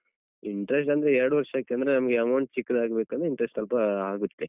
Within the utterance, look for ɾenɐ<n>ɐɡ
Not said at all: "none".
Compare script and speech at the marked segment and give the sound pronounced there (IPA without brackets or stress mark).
m